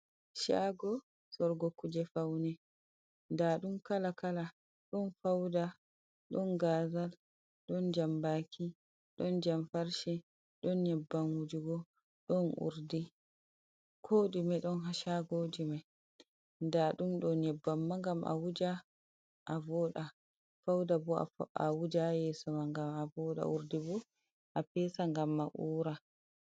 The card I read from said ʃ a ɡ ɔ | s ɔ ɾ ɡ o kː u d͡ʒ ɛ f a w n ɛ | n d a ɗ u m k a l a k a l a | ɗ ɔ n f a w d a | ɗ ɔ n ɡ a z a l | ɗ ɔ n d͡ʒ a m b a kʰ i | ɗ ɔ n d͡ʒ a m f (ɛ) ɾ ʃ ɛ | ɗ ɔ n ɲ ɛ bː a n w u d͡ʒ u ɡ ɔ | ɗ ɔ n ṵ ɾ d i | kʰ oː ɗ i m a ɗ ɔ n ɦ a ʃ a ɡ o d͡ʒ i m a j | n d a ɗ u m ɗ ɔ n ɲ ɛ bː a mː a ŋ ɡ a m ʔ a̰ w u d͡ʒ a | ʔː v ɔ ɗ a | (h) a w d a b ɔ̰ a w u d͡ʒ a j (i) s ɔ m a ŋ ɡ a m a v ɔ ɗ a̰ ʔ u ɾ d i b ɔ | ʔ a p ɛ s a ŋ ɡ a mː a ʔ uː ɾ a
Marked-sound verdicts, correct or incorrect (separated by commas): incorrect, incorrect, incorrect